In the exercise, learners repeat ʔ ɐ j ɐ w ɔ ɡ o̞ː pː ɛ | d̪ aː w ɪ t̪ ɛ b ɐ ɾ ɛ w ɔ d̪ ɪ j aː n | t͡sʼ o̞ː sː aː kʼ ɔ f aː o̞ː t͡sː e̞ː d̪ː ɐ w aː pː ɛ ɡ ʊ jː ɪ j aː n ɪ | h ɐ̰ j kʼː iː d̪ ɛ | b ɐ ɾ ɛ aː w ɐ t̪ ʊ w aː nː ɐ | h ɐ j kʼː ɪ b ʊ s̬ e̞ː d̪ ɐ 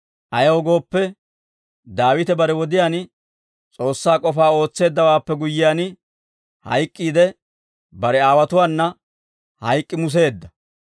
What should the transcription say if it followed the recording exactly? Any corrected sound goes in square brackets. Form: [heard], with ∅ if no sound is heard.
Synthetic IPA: ʔ ɐ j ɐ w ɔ ɡ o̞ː pː ɛ | d̪ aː w ɪ t̪ ɛ b ɐ ɾ ɛ w ɔ d̪ ɪ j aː n | t͡sʼ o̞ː sː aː kʼ ɔ f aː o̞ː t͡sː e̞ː d̪ː ɐ w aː pː ɛ ɡ ʊ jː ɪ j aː n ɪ | h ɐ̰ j kʼː iː d̪ ɛ | b ɐ ɾ ɛ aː w ɐ t̪ ʊ w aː nː ɐ | h ɐ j kʼː ɪ [m] ʊ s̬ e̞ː [d̪ː] ɐ